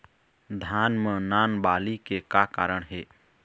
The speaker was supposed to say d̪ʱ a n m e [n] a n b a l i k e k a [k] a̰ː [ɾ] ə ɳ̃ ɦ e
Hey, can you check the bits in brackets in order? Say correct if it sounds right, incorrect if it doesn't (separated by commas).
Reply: correct, correct, correct